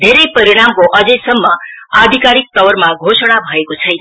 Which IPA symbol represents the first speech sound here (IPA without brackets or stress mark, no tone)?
d̪ʱ